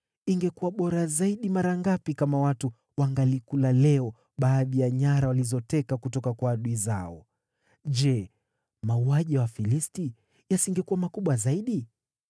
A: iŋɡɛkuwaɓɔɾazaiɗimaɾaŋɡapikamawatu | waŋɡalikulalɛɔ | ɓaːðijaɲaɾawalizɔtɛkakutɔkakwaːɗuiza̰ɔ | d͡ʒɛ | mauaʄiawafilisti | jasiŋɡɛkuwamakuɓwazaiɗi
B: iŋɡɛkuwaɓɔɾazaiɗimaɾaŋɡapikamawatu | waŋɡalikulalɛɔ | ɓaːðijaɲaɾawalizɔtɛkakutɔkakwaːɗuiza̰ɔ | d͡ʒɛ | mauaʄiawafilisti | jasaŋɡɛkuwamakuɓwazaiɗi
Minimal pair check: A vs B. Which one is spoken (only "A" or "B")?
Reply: A